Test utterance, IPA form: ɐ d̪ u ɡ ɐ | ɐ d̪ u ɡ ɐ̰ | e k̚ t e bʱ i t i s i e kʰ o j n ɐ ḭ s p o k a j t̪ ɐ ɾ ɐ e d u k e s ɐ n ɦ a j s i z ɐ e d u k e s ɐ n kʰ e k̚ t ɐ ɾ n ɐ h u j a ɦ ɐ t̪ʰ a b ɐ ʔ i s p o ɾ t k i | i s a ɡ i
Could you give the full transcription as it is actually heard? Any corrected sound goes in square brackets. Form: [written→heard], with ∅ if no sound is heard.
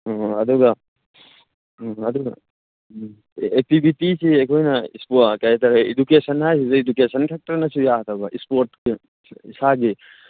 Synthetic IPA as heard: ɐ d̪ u ɡ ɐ | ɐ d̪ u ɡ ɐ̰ | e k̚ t [e→i] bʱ i t i s i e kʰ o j n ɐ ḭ s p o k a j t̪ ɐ ɾ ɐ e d u k e s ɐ n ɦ a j s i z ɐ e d u k e s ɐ n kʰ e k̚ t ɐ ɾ n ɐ [h→s] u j a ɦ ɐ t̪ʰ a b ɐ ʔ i s p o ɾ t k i | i s a ɡ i

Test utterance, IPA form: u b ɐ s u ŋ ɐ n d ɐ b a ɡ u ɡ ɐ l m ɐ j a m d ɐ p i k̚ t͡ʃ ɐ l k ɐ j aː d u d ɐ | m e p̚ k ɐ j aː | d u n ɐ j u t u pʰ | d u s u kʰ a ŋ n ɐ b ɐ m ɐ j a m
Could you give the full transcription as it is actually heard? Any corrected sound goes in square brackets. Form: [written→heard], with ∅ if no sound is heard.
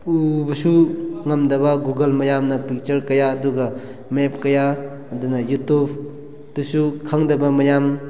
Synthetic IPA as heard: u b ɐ s u ŋ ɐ [n→m] d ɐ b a ɡ u ɡ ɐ l m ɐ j a m [d→n] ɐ p i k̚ t͡ʃ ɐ [l→ɾ] k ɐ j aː d u [d→ɡ] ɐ | m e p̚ k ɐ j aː | d u n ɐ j u t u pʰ | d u s u kʰ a ŋ [n→d] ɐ b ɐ m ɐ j a m

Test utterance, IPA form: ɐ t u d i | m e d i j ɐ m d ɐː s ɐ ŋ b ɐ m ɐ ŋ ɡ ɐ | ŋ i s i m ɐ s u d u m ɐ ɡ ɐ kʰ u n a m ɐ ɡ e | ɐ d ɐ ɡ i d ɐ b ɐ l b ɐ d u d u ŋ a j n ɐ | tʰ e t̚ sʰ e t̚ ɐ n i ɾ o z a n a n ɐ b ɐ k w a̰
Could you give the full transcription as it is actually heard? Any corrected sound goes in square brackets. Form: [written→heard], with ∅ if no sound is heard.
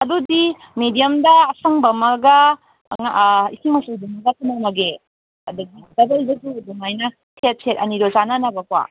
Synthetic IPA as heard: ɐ [t→d] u d i | m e d i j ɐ m d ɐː s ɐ ŋ b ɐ m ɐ [ŋ→∅] ɡ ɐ | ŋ i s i m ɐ s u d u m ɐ ɡ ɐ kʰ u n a m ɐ ɡ e | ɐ d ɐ ɡ i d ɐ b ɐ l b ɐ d u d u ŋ a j n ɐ | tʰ e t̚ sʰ e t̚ ɐ n i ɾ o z a n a n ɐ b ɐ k w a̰

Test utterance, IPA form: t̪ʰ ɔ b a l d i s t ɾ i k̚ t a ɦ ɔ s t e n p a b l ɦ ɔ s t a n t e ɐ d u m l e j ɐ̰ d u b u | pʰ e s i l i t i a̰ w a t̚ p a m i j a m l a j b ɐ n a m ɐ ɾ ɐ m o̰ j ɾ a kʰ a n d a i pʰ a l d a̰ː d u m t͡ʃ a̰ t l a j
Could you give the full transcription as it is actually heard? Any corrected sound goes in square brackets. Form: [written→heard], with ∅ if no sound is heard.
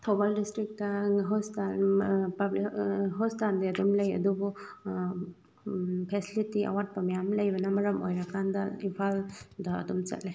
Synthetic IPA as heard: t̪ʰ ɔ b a l d i s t ɾ i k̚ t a ɦ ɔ s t [e→a] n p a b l ɦ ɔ s t a n [t→d] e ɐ d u m l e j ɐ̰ d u b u | pʰ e s i l i t i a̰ w a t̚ p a m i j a m l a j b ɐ n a m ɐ ɾ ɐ m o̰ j ɾ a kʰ a n d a i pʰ a l d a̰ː d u m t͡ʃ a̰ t l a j

